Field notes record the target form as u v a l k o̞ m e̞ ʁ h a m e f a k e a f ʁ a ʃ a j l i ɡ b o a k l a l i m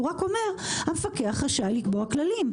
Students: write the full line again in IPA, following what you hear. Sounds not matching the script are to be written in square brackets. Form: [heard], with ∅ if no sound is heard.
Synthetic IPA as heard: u [ʁ] a [∅] k o̞ m e̞ ʁ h a m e f a k e a [χ] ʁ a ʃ a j l i [k] b o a k l a l i m

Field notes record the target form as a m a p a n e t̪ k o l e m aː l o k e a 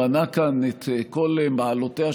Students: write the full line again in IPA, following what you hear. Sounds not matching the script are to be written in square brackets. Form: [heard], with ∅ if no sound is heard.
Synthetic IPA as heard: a [n] a [k] a n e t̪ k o l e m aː l o [t] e a

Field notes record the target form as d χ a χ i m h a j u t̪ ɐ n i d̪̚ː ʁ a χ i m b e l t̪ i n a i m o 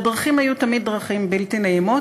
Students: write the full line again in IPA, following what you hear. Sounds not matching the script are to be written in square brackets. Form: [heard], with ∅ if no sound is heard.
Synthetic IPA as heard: d [ʁ] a χ i m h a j u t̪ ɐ [m] i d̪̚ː ʁ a χ i m b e l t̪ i n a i m o

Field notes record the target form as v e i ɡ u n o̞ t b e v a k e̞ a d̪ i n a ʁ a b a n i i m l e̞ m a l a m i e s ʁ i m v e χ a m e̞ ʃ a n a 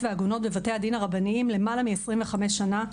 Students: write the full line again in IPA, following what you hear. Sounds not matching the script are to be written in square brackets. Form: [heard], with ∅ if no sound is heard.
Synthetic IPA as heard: v e [a] ɡ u n o̞ t b e v a [t] e̞ a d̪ i n a ʁ a b a n i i m l e̞ m a l a m i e s ʁ i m v e χ a m e̞ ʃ a n a

